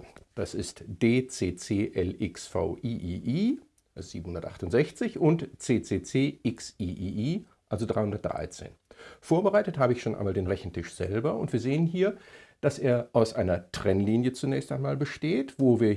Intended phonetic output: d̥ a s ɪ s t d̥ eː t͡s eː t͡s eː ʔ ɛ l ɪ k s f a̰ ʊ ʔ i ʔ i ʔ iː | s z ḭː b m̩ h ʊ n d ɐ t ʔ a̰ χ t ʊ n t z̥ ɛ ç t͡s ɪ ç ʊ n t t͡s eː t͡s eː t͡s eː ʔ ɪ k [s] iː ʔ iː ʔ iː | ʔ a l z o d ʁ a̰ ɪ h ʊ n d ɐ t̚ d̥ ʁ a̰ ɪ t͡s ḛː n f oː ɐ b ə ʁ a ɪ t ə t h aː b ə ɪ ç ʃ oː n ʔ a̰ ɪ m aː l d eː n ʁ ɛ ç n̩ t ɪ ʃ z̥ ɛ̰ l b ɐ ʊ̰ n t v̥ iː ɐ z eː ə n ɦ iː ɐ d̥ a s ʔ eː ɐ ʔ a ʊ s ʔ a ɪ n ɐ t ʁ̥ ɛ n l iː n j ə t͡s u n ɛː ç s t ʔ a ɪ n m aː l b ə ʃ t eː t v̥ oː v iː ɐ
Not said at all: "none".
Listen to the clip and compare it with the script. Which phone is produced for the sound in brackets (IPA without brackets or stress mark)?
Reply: s